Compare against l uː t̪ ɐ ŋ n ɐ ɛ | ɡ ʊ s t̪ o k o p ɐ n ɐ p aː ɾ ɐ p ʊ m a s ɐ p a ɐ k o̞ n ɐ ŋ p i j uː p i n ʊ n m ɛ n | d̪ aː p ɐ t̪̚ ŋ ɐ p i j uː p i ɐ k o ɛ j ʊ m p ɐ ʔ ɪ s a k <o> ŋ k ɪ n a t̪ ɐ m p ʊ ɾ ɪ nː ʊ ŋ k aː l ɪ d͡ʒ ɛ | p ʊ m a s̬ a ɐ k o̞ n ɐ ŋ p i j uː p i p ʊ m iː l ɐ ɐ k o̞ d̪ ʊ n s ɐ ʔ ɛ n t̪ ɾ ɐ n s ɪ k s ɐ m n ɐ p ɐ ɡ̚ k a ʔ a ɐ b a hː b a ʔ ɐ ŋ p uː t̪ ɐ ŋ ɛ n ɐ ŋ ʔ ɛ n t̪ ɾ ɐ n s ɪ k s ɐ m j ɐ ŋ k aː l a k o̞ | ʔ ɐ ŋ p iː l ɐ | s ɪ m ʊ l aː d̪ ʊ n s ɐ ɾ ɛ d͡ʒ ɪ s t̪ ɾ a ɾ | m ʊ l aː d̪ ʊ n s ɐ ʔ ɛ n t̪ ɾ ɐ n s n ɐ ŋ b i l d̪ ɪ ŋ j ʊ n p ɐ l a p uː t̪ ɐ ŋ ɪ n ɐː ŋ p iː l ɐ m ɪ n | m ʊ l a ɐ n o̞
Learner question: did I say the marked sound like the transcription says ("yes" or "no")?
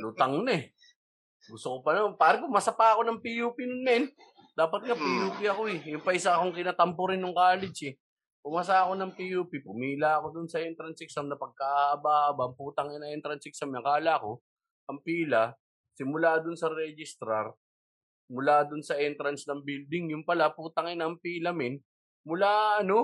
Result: yes